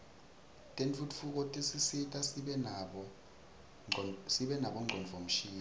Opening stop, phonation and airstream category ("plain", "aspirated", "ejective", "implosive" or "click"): ejective